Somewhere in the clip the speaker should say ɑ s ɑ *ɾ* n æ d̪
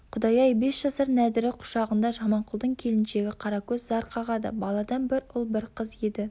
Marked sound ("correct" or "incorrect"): correct